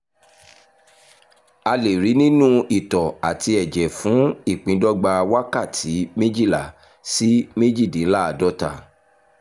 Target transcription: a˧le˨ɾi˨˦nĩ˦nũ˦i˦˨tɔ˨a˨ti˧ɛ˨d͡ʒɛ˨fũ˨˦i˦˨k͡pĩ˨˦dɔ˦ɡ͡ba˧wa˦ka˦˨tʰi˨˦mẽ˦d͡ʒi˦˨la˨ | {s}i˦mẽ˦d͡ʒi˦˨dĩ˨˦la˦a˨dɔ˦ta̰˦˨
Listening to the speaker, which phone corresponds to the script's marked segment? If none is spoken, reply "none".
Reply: s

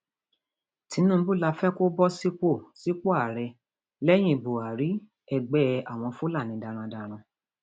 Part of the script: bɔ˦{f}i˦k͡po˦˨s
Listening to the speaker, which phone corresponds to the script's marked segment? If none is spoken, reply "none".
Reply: s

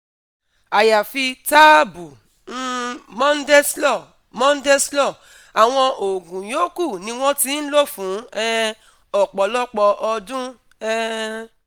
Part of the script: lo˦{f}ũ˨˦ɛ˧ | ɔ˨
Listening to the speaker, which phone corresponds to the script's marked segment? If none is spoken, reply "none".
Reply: f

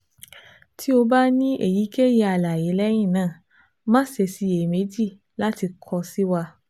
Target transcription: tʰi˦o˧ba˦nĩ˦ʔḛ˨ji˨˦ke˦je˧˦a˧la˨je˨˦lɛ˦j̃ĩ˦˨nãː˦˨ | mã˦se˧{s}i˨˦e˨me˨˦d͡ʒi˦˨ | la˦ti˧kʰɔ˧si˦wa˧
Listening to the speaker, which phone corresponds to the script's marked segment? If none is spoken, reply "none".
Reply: s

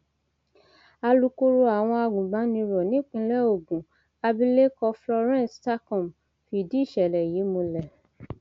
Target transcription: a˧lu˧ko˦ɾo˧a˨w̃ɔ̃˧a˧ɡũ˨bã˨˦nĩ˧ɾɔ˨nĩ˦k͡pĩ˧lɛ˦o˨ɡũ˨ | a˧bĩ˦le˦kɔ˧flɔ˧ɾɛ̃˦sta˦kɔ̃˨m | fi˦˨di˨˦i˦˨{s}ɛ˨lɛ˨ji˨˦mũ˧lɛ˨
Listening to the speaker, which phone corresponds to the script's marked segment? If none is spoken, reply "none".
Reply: ʃ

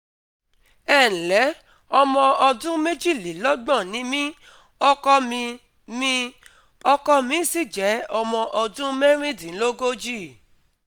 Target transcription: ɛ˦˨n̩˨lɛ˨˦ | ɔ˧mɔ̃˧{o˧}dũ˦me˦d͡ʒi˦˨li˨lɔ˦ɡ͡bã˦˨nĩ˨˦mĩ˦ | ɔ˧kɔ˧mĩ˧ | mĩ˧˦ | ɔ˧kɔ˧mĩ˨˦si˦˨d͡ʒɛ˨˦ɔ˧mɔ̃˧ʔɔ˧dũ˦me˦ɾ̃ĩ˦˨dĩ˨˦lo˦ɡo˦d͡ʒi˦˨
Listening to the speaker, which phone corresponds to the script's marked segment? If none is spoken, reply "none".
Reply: ɔ˧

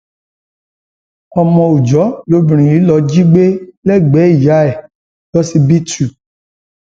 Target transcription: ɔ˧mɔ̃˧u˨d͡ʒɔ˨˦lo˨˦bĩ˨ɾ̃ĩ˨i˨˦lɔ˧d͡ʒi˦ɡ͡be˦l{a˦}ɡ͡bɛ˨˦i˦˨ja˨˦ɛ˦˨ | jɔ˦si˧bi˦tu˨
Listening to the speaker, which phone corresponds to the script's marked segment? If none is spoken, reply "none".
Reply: ɛ˦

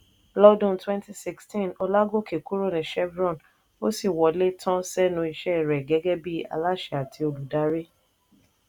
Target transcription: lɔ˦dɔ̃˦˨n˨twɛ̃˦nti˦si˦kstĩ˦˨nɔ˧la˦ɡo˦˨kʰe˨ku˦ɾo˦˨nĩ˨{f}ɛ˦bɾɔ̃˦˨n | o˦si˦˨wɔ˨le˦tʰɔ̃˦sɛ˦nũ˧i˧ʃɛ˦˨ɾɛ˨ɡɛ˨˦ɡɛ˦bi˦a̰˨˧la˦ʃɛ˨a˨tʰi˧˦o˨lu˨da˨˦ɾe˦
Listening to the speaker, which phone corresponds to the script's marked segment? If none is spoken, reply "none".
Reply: ʃ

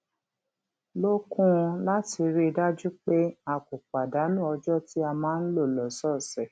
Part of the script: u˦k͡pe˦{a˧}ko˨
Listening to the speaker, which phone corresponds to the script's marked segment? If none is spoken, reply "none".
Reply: a˧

